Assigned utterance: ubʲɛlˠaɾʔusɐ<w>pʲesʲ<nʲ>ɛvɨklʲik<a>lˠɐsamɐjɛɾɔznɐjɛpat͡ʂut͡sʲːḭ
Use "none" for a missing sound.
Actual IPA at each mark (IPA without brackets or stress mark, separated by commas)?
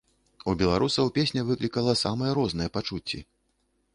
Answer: w, nʲ, ɐ